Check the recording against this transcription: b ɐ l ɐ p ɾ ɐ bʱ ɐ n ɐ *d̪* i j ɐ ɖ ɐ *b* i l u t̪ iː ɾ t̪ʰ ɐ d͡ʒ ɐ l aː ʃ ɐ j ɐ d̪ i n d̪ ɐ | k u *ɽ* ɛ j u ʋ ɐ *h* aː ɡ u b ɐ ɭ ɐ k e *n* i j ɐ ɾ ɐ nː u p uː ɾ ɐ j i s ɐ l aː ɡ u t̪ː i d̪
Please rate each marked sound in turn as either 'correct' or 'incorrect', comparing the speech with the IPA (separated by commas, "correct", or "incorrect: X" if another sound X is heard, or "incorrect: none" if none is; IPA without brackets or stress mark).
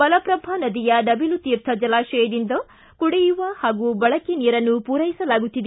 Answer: correct, correct, correct, correct, correct